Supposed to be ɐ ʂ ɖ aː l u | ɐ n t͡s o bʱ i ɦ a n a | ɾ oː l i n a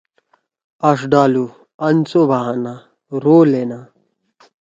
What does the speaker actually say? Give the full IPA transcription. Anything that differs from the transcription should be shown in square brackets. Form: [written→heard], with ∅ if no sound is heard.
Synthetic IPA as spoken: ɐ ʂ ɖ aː l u | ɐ n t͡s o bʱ [i→a] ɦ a n a | ɾ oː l [i→e] n a